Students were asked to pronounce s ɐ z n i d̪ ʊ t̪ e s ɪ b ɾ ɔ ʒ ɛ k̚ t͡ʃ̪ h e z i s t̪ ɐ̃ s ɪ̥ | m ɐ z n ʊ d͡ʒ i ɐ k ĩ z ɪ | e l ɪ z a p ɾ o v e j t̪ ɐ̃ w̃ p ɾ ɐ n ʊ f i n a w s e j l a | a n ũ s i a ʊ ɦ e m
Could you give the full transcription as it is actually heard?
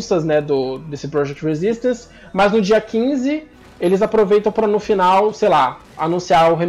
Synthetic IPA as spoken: s ɐ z n ɛ d̪ ʊ d̪ e s ɪ p ɾ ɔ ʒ ɛ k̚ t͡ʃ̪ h e z i s t̪ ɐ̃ s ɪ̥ | m ɐ z n ʊ d͡ʒ i ɐ k ĩ z ɪ | e l ɪ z a p ɾ o v e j t̪ ɐ̃ w̃ p ɾ ɐ n ʊ f i n a w s e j l a | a n ũ s i a ʊ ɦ e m